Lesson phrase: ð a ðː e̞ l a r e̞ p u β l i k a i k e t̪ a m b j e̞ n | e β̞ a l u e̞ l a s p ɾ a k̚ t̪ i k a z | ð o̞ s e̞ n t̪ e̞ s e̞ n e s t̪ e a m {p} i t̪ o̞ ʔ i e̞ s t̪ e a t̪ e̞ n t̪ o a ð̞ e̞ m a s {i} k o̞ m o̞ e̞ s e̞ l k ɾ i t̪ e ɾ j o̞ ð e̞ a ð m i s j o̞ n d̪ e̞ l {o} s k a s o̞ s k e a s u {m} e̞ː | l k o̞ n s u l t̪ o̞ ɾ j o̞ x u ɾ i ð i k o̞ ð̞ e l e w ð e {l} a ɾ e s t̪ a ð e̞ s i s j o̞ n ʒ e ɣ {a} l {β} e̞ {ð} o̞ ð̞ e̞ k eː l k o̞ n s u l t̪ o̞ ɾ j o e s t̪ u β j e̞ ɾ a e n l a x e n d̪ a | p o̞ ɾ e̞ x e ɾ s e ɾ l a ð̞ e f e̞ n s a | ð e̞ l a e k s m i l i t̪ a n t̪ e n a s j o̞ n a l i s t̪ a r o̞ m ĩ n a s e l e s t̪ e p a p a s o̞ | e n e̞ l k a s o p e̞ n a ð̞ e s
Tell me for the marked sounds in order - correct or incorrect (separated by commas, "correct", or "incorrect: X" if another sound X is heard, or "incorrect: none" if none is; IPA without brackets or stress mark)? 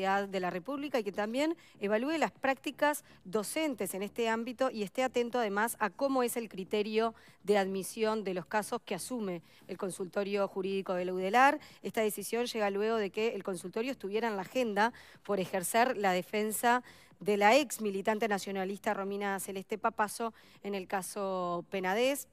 incorrect: b, incorrect: a, correct, correct, correct, correct, incorrect: w, incorrect: ɣ